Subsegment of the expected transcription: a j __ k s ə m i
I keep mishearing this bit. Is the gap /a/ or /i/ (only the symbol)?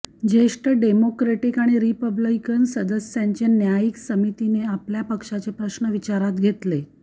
i